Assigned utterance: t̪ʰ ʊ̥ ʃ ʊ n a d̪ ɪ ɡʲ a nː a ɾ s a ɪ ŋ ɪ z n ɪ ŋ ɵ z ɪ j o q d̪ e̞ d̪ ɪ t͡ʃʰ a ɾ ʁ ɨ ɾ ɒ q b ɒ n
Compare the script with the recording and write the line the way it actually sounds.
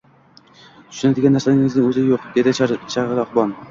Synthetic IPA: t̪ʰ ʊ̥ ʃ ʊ n a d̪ ɪ ɡʲ a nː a ɾ s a ɪ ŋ ɪ z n ɪ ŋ ɵ z ɪ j o q d̪ e̞ d̪ ɪ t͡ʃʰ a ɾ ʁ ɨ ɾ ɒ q b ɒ n

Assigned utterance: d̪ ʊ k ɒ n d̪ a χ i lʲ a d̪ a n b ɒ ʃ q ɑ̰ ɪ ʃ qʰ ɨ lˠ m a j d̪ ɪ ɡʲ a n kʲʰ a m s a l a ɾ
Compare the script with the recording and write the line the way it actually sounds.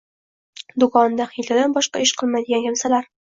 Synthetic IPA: d̪ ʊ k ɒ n d̪ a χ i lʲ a d̪ a n b ɒ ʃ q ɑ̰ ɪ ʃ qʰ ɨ lˠ m a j d̪ ɪ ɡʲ a n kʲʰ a m s a l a ɾ

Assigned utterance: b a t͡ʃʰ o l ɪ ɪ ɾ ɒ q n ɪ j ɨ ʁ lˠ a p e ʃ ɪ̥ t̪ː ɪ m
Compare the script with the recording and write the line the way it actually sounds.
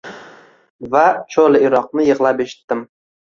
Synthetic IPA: v a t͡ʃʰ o l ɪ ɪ ɾ ɒ q n ɪ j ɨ ʁ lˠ a p e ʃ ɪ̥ t̪ː ɪ m

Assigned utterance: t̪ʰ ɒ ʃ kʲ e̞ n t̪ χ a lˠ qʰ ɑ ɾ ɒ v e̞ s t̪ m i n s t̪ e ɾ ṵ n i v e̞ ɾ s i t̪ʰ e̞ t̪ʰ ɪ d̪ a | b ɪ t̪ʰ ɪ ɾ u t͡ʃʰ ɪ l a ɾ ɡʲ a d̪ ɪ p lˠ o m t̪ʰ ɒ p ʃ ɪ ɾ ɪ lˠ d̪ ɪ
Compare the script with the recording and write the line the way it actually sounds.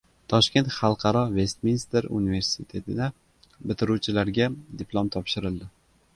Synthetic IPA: t̪ʰ ɒ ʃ kʲ e̞ n t̪ χ ɑ lˠ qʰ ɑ ɾ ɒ v e̞ s t̪ m i n s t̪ e ɾ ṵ n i v e̞ ɾ s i t̪ʰ e̞ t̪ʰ ɪ d̪ a | b ɪ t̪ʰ ɪ ɾ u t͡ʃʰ ɪ l a ɾ ɡʲ a d̪ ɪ p lˠ o m t̪ʰ ɒ p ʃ ɪ ɾ ɪ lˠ d̪ ɪ

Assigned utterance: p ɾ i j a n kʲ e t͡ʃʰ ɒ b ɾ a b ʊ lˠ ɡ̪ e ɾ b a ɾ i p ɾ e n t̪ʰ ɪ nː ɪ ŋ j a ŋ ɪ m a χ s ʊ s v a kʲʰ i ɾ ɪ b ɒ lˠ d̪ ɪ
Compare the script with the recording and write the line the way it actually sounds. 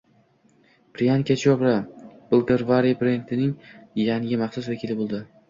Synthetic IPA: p ɾ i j a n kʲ a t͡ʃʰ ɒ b ɾ a b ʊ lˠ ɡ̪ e ɾ v a ɾ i p ɾ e n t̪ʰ ɪ n ɪ ŋ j a ŋ ɪ m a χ s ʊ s v a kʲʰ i l ɪ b o lˠ d̪ ɪ

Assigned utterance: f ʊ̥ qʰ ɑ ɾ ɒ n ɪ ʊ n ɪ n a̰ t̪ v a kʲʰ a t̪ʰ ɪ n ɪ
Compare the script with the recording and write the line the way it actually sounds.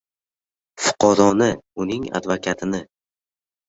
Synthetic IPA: f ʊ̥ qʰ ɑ ɾ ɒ n ɪ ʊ n ɪ ŋ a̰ d̪ v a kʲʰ a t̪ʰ ɪ n ɪ

